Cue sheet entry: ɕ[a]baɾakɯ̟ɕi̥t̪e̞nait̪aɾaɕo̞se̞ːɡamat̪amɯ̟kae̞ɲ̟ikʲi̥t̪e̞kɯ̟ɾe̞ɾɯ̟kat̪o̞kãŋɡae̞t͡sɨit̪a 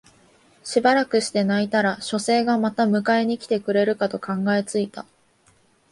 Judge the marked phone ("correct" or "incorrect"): incorrect